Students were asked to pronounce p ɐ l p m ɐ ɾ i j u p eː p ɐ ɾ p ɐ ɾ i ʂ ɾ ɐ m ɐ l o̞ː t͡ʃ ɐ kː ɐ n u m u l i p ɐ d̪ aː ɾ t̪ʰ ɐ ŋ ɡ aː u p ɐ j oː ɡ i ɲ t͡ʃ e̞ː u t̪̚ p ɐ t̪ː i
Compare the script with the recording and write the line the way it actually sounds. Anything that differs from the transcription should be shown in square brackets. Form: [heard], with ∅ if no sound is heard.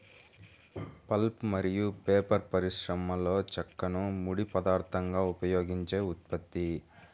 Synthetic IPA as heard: p ɐ l p m ɐ ɾ i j u p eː p ɐ ɾ p ɐ ɾ i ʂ ɾ ɐ m ɐ l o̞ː t͡ʃ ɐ kː ɐ n u m u [ɽ] i p ɐ d̪ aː ɾ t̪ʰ ɐ ŋ ɡ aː u p ɐ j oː ɡ i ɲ t͡ʃ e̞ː u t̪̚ p ɐ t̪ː i